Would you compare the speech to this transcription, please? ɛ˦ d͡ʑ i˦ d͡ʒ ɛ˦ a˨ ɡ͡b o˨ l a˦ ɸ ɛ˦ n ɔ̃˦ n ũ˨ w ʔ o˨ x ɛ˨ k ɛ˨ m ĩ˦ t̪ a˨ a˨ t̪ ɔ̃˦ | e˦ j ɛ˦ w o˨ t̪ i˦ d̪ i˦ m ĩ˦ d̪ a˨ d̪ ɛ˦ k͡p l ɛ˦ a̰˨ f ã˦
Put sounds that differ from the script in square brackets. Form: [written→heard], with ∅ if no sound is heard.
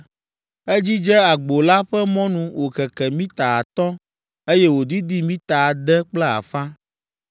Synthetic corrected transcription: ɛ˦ d͡ʑ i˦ d͡ʒ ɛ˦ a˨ ɡ͡b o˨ l a˦ ɸ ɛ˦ [n→m] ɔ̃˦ n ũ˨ w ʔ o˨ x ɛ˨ k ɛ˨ m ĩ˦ t̪ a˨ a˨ t̪ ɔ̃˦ | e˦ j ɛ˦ w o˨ [t̪→d̪] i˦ d̪ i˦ m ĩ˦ [d̪→t̪] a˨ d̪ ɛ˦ k͡p l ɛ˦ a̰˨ f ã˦